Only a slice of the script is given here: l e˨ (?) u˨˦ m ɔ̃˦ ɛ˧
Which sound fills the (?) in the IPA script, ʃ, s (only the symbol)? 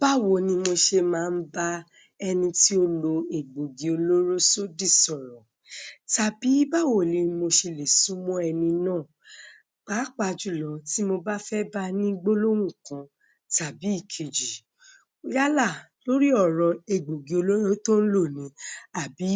s